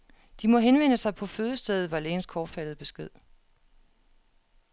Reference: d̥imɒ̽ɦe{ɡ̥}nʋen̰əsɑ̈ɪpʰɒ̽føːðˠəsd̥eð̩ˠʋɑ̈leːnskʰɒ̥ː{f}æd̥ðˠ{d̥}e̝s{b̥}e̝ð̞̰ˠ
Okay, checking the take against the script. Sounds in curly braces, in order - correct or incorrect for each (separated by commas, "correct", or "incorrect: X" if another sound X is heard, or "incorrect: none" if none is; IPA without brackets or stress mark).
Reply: incorrect: none, correct, incorrect: b̥, incorrect: ɡ̥